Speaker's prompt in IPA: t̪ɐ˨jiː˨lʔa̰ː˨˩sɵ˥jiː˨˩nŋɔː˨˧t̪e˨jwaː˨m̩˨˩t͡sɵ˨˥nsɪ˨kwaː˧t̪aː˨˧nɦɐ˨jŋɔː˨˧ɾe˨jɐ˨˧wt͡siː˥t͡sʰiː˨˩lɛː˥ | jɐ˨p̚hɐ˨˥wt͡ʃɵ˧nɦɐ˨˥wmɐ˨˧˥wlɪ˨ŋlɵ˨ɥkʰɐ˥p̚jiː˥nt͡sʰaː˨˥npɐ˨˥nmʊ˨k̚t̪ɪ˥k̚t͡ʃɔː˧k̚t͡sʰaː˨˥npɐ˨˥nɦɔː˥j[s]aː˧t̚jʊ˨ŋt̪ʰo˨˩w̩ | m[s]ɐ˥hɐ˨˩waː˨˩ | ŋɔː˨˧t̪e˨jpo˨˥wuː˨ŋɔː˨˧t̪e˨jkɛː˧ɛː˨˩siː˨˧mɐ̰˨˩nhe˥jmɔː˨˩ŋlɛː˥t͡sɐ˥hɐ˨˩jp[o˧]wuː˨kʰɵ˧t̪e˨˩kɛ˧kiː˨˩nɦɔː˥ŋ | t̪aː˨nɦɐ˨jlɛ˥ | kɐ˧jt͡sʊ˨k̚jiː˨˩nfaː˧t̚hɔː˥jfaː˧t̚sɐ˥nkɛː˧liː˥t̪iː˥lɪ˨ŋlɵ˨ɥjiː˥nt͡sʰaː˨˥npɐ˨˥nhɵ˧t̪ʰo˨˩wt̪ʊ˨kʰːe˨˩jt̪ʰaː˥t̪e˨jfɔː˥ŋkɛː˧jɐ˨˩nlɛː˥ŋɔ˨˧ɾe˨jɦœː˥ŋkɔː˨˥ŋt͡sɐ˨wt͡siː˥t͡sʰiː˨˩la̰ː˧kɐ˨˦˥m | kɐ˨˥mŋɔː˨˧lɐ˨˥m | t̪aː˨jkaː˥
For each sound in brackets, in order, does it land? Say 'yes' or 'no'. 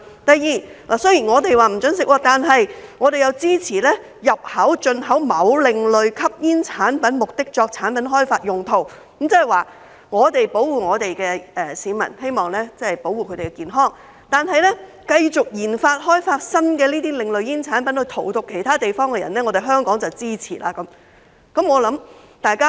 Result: no, no, no

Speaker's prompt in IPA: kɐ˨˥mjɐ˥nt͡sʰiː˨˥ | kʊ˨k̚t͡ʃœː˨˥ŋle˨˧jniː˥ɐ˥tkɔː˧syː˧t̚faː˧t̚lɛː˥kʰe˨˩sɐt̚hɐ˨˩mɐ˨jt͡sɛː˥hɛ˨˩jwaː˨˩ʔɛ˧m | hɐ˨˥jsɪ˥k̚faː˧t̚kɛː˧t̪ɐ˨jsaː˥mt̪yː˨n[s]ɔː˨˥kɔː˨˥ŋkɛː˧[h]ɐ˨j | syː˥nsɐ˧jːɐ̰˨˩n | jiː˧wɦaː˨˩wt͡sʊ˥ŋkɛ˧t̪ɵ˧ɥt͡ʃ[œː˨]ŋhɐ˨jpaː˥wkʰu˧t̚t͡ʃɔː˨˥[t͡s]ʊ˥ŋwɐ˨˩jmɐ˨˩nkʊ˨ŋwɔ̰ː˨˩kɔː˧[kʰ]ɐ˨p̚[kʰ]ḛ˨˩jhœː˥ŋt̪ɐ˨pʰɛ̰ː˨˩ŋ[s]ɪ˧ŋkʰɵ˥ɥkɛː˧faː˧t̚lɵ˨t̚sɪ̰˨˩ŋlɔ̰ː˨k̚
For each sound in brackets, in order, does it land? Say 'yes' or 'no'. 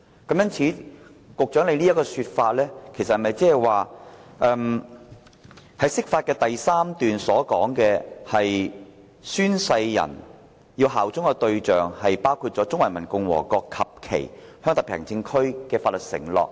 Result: yes, yes, yes, yes, yes, yes, no

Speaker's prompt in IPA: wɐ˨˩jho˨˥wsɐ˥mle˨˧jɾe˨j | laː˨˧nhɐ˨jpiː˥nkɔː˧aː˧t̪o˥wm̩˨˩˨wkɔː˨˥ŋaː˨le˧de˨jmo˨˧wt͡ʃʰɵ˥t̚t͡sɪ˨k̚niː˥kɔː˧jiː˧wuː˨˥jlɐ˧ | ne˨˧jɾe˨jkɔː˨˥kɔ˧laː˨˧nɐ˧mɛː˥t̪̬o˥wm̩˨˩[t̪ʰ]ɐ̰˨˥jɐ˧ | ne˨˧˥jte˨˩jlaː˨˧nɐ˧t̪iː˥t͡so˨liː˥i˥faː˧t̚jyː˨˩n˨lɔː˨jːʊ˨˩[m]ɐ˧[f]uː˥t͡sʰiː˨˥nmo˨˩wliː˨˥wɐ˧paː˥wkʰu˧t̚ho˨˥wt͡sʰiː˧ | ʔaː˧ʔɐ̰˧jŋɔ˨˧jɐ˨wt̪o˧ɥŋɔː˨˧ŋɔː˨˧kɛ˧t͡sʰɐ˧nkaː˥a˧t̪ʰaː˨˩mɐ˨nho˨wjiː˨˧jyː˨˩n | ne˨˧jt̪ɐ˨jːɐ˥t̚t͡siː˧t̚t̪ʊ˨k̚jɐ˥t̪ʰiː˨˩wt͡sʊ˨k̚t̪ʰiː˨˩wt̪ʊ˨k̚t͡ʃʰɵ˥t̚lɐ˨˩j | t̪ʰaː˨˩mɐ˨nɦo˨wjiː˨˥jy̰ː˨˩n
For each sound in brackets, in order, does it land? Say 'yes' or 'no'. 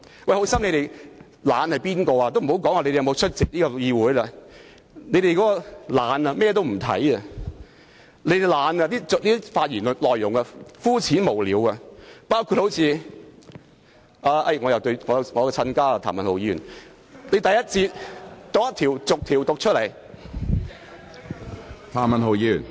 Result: yes, no, yes

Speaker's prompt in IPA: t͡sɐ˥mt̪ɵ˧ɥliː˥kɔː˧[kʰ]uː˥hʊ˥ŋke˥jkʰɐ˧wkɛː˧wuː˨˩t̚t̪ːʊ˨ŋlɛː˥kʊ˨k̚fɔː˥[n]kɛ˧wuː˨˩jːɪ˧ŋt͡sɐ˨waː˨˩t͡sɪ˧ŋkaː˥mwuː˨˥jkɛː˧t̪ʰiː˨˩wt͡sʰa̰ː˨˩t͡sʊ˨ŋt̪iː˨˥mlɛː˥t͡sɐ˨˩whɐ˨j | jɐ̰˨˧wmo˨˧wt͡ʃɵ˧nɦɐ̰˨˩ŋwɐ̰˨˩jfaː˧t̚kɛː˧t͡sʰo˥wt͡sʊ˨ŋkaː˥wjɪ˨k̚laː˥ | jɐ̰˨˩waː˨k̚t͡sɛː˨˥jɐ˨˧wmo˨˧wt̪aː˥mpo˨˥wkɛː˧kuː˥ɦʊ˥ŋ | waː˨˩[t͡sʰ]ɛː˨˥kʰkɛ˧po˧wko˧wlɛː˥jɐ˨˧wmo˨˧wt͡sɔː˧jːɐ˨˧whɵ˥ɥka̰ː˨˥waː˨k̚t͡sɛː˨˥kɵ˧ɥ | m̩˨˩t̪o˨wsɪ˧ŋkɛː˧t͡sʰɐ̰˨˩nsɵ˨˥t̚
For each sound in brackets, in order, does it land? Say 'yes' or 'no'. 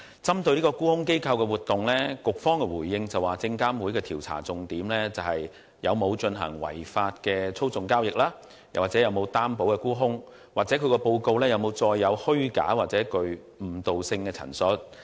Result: no, no, no

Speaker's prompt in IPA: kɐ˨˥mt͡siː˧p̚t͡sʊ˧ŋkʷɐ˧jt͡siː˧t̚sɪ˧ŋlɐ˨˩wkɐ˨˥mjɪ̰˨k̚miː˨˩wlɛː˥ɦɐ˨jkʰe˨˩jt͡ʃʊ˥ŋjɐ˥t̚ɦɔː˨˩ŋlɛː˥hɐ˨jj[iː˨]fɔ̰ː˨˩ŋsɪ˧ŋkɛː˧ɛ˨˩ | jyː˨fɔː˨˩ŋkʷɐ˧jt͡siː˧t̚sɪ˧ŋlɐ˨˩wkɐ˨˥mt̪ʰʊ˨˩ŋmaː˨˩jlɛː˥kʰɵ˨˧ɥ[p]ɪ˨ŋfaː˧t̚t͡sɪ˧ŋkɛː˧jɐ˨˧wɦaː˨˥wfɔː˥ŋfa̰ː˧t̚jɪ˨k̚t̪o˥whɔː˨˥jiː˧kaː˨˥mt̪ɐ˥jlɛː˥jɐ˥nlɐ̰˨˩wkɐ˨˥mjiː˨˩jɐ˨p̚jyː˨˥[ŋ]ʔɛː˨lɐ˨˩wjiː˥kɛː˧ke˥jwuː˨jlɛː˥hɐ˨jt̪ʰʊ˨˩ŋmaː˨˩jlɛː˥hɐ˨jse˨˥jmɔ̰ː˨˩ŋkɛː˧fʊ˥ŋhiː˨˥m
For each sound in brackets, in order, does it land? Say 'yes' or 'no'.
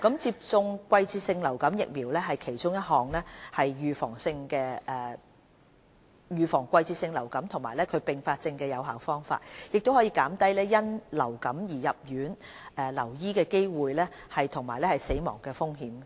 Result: no, yes, no

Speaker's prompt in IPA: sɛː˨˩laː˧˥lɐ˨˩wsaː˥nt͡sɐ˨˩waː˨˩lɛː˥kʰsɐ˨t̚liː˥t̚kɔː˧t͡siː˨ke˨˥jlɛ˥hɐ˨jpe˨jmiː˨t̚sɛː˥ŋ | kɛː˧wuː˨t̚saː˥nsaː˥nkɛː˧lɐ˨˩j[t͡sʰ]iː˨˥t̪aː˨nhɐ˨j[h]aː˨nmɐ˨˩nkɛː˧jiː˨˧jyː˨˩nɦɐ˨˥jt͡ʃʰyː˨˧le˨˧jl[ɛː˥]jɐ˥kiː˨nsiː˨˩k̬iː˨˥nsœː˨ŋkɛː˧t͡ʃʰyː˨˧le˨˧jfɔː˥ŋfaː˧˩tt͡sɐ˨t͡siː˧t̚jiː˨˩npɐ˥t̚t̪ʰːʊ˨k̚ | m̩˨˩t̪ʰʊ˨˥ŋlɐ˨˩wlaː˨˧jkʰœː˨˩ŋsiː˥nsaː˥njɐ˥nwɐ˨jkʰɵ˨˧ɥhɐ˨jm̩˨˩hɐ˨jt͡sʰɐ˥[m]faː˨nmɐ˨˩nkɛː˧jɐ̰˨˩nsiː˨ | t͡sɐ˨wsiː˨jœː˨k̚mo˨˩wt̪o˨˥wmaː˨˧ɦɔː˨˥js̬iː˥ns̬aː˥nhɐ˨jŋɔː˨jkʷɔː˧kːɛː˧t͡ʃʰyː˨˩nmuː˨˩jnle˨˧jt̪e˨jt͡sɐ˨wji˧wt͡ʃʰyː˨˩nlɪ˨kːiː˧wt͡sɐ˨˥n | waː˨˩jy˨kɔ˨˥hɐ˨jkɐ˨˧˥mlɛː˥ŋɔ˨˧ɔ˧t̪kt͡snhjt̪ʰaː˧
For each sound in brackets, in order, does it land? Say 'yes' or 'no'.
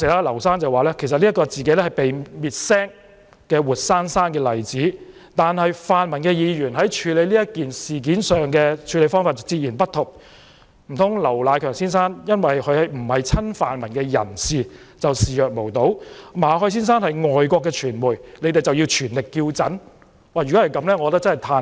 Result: no, no, no, no

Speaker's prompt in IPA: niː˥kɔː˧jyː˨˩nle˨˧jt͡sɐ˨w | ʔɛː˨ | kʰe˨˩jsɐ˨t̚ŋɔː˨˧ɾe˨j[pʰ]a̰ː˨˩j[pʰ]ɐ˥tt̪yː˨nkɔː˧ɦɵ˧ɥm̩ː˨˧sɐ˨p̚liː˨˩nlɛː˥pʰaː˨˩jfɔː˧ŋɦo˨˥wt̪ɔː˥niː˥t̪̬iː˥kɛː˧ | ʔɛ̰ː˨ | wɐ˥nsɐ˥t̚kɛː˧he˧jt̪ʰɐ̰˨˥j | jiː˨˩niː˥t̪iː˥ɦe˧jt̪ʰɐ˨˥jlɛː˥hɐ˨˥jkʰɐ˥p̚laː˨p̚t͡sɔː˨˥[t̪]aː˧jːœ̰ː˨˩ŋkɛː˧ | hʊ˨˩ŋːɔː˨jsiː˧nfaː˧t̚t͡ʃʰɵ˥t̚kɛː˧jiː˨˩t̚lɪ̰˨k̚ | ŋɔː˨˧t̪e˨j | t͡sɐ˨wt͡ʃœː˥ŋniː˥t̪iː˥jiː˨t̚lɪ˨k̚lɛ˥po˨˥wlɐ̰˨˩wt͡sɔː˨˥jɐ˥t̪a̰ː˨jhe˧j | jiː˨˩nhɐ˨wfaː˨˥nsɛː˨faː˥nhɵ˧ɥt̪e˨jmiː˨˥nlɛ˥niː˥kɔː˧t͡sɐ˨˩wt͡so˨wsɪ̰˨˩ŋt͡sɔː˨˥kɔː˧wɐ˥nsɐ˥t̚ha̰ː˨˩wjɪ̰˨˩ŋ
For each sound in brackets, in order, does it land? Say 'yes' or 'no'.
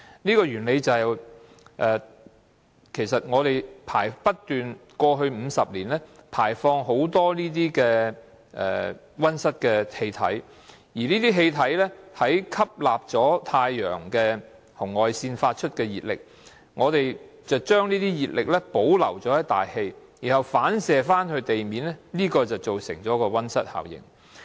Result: yes, no, no

